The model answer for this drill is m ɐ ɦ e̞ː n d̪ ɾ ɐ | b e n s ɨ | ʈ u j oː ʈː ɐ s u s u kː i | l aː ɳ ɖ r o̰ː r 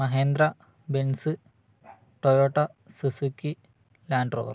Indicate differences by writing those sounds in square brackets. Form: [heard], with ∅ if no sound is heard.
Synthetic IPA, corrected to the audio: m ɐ ɦ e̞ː n d̪ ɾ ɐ | b e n s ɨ | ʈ [o] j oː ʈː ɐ s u s u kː i | l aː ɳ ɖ r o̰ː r

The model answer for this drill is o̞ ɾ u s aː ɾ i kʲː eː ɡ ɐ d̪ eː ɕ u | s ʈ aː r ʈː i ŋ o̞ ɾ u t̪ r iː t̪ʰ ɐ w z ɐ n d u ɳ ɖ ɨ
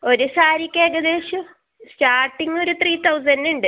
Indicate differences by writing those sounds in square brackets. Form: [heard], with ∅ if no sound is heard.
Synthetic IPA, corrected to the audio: o̞ ɾ u s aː ɾ i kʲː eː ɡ ɐ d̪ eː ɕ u | s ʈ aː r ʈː i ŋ o̞ ɾ u t̪ r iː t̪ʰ ɐ w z ɐ n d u ɳ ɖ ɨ

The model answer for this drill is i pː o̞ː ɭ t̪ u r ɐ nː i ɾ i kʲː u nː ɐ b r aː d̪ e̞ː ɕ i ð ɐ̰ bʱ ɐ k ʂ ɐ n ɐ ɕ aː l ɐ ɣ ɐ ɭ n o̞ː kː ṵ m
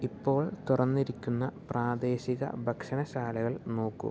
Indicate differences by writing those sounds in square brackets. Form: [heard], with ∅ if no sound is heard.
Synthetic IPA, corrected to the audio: i pː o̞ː ɭ t̪ u r ɐ nː i ɾ i kʲː u nː ɐ [p] r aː d̪ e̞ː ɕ i [ɣ] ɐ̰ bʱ ɐ k ʂ ɐ n ɐ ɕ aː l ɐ ɣ ɐ ɭ n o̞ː kː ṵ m

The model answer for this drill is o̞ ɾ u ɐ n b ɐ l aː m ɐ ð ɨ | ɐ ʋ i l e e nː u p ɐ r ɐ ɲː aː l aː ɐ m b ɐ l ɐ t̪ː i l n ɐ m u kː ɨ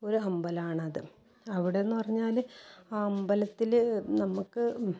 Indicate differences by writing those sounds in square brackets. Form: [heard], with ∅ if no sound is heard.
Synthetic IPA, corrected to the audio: o̞ ɾ u ɐ [m] b ɐ l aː [ɳ] ɐ ð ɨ | ɐ ʋ i [ɽ] e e nː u p ɐ r ɐ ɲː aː l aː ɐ m b ɐ l ɐ t̪ː i l n ɐ m u kː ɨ

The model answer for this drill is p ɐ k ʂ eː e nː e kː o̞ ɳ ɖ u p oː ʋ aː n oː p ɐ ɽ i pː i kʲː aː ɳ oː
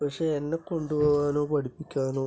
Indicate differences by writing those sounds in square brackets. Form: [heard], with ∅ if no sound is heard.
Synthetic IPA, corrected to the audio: p ɐ k ʂ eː e nː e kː o̞ ɳ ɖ u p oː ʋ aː n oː p ɐ ɽ i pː i kʲː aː [n] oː

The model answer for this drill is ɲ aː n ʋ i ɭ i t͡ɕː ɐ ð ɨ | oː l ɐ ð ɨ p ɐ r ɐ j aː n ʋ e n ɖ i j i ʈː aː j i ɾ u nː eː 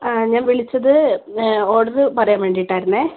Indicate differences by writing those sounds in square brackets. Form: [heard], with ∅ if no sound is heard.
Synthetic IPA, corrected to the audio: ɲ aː n ʋ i ɭ i t͡ɕː ɐ ð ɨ | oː [ɽ] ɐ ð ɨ p ɐ r ɐ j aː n ʋ e [ɳ] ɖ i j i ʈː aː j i ɾ u nː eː

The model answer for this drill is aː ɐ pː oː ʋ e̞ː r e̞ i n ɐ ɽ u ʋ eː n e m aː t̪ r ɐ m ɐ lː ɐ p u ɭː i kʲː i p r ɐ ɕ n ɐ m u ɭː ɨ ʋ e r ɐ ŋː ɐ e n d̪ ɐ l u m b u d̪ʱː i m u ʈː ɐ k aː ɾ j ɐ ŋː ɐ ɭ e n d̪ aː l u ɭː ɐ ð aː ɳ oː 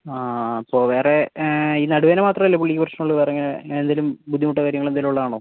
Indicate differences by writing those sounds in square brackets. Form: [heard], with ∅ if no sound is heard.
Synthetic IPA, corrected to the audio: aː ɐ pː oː ʋ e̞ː r e̞ i n ɐ ɽ u ʋ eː n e m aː t̪ r ɐ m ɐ lː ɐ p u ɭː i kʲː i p r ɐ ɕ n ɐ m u ɭː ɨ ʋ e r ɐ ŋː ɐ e n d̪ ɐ l u m b u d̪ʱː i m u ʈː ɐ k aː ɾ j ɐ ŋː ɐ ɭ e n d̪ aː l u ɭː ɐ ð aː ɳ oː

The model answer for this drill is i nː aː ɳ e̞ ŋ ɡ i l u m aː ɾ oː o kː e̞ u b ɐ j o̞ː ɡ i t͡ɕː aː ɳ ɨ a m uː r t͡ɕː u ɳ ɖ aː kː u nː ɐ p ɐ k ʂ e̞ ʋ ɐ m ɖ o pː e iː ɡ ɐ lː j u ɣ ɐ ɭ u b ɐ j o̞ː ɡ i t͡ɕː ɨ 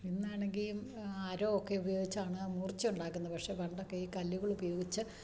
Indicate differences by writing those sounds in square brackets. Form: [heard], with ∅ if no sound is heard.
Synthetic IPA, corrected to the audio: i nː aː ɳ e̞ ŋ ɡ i l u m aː ɾ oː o kː e̞ u b ɐ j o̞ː ɡ i t͡ɕː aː ɳ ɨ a m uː r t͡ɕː u ɳ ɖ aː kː u nː ɐ p ɐ k ʂ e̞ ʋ ɐ [ɳ] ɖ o [kː] e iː [k] ɐ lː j u ɣ ɐ ɭ u b ɐ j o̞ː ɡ i t͡ɕː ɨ

